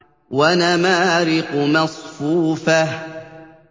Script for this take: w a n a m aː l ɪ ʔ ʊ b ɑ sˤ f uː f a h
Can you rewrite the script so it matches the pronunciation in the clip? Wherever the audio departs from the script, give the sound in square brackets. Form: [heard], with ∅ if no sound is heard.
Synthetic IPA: w a n a m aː [ɾ] ɪ [q] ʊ [m] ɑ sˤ f uː f a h